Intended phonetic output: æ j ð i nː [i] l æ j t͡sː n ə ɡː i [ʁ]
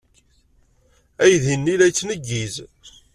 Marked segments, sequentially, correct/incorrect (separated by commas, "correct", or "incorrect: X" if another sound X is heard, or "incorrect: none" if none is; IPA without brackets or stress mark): correct, incorrect: z